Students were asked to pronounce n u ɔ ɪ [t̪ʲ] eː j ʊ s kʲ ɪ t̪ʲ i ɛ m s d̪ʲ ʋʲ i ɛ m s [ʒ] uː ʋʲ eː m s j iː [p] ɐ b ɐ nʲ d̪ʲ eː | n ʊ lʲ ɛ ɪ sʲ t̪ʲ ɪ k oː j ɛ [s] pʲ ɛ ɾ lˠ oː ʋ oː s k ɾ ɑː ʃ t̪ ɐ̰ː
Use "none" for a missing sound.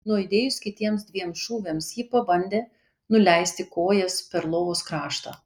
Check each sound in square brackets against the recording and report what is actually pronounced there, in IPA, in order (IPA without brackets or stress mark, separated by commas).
d̪ʲ, ʃ, p, s